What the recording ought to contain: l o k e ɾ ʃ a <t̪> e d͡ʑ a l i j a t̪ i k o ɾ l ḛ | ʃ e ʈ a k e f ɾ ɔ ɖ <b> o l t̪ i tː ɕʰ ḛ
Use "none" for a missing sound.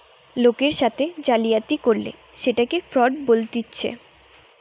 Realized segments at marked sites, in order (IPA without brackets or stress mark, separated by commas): t̪ʰ, b